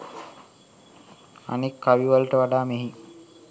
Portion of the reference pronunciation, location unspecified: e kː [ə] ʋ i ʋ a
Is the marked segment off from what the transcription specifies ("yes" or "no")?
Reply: yes